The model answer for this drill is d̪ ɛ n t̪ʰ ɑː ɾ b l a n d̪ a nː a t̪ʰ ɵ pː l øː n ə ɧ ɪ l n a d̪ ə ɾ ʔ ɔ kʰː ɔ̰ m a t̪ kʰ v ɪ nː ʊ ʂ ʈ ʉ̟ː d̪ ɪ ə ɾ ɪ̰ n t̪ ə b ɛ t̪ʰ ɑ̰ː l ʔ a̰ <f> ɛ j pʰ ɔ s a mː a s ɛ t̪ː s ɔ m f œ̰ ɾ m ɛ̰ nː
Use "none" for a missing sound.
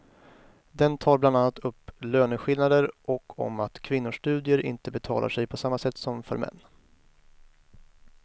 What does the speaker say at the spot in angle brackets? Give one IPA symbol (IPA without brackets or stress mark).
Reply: ʂ